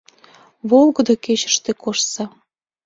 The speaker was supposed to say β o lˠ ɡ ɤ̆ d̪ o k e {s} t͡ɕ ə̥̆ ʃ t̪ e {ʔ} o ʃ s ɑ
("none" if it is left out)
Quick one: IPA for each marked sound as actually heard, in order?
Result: none, k

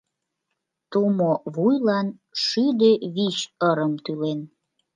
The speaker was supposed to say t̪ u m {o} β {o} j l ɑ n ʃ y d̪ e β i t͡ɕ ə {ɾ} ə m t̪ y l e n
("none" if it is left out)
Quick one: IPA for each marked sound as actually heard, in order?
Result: o, u, ɾ

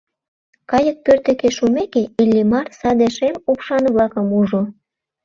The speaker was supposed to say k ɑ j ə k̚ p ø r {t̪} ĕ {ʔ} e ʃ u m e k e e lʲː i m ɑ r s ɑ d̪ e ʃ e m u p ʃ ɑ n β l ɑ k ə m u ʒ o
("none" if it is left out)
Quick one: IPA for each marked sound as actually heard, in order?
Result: t̪, k

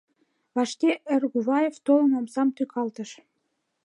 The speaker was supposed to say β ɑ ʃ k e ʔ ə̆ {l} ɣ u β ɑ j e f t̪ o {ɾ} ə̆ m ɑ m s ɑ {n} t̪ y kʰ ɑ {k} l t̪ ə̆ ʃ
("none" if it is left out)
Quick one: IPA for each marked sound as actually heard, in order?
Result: r, l, m, none

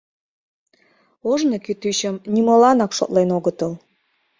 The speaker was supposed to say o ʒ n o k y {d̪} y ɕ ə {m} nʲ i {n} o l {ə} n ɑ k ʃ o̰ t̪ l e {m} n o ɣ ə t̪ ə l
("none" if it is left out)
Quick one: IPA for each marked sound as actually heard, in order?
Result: t̪, m, m, ɑ, none

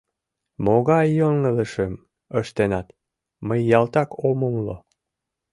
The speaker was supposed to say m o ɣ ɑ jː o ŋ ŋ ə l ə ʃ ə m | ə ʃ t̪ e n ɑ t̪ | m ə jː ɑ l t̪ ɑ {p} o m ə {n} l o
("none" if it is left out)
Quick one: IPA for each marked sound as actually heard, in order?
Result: k, m

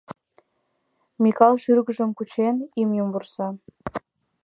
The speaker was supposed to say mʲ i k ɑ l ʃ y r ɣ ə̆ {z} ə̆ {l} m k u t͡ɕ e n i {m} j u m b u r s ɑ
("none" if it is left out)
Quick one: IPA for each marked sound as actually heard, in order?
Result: ʒ, none, m

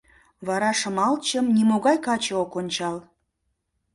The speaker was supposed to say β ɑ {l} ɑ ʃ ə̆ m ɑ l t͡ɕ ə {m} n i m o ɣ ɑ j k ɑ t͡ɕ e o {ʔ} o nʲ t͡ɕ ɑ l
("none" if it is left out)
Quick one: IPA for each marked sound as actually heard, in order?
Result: ɾ, m, k

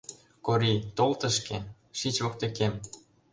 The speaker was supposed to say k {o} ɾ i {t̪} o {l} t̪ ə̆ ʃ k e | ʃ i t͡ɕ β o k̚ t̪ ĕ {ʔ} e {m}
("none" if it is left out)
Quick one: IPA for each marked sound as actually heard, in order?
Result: o, t̪, l, k, m

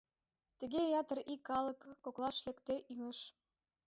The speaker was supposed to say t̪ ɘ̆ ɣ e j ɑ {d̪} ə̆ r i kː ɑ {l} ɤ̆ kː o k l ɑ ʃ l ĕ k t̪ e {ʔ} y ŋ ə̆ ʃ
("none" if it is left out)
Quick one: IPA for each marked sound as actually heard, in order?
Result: t̪, l, ʔ

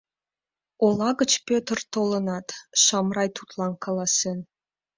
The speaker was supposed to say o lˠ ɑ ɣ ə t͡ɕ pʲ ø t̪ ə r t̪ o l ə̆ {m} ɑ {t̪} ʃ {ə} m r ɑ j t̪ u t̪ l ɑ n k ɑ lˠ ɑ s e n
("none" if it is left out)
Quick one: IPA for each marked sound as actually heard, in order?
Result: n, t̪, ɑ

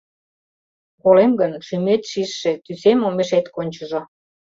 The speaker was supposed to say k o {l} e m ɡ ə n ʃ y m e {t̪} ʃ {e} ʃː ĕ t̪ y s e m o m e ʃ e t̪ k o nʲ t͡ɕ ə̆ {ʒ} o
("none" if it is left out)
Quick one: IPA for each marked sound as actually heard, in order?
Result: l, t̪, i, ʒ

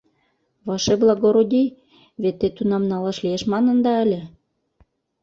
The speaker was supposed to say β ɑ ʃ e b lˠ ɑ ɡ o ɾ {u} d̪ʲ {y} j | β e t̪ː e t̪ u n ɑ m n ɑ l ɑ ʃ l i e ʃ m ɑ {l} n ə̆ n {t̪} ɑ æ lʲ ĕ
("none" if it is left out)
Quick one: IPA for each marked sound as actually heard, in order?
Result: o, i, none, d̪

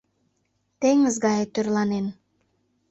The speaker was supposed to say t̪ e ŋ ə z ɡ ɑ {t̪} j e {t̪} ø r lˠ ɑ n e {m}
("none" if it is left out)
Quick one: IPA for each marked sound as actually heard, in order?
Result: none, t̪, n

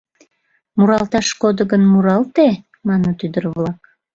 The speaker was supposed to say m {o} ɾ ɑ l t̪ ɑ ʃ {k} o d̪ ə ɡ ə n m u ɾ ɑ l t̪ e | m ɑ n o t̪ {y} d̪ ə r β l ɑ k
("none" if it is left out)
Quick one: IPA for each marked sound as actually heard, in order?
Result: u, k, y

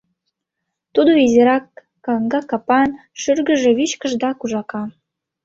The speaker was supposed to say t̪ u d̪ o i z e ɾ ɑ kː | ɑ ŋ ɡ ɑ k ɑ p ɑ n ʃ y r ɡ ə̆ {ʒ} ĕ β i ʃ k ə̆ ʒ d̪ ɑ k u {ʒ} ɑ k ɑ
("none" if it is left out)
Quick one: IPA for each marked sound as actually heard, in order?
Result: ʒ, ʒ

